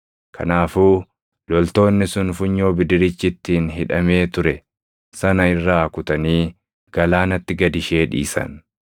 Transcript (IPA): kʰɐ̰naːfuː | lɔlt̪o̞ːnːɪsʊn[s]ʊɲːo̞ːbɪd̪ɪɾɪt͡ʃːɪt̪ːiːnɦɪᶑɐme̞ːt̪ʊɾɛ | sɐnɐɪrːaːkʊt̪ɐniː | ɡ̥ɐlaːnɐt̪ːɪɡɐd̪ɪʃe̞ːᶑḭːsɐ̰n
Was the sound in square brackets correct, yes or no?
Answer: no